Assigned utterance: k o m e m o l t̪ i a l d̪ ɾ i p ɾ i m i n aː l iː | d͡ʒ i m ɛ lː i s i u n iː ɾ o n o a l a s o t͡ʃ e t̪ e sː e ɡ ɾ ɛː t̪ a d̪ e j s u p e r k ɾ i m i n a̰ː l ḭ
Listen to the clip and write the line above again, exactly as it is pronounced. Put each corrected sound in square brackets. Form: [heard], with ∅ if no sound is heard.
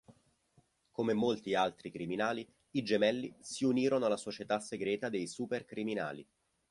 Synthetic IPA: k o m e m o l t̪ i a l [t̪] ɾ i [k] ɾ i m i n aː l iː | d͡ʒ [e] m ɛ lː i s i u n iː ɾ o n o a l a s o t͡ʃ e t̪ [a] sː e ɡ ɾ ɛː t̪ a d̪ e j s u p e r k ɾ i m i n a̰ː l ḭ